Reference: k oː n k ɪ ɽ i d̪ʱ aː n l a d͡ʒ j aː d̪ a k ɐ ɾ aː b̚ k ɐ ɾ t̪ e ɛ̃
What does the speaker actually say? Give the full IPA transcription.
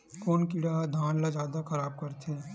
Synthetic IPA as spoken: k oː n k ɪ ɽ a d̪ʱ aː n l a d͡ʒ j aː d̪ a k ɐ ɾ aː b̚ k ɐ ɾ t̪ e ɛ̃